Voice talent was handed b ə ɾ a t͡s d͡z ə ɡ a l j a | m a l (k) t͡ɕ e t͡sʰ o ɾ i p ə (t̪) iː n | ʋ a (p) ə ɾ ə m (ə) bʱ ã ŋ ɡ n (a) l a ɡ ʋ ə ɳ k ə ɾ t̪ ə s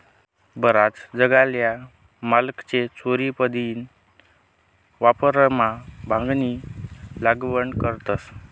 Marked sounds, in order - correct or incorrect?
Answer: correct, incorrect, correct, incorrect, incorrect

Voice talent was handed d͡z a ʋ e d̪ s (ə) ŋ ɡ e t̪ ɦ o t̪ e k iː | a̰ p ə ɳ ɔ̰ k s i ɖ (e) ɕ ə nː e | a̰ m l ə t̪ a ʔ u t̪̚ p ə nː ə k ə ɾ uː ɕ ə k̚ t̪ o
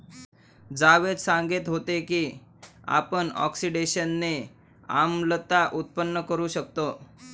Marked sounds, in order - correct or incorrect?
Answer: incorrect, correct

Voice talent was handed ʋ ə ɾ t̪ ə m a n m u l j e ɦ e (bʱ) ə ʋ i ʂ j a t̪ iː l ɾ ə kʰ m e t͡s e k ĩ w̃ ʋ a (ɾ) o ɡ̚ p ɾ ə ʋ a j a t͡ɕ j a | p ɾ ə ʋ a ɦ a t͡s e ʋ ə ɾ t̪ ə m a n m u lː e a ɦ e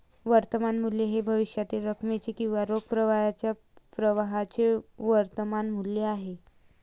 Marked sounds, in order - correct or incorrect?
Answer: correct, correct

